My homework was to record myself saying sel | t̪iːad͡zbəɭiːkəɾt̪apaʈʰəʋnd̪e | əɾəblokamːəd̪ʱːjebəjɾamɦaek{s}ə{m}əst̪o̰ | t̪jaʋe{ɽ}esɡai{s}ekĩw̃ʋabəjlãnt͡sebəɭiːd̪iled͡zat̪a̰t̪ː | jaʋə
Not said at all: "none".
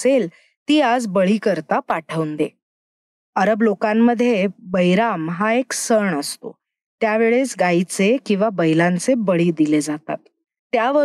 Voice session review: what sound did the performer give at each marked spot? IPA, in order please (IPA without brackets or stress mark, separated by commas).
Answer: s, ɳ, ɭ, t͡s